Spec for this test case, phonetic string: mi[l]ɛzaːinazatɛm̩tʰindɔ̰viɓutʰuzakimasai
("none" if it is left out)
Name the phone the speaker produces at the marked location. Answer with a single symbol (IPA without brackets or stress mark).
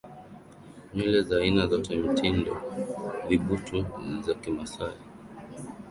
l